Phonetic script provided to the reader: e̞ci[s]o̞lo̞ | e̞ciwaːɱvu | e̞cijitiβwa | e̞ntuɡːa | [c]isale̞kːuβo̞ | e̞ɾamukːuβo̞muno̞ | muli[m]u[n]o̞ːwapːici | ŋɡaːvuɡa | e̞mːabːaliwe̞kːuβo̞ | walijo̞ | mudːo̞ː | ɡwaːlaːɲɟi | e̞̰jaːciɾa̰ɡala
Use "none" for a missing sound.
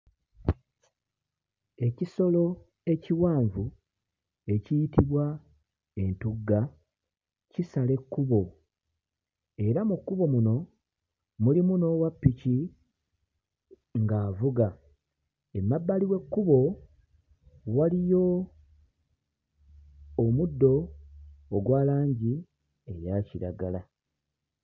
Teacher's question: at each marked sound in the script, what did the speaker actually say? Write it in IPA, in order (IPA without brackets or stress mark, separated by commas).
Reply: s, c, m, n